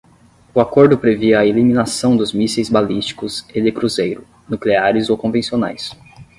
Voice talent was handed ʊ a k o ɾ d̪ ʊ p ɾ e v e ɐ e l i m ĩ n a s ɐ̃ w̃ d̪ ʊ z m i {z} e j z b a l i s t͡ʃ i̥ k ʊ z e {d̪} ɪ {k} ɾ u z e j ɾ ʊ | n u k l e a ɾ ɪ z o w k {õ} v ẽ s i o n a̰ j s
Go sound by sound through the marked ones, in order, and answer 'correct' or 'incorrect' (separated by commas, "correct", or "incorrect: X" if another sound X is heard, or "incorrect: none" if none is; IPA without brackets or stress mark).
incorrect: s, correct, correct, correct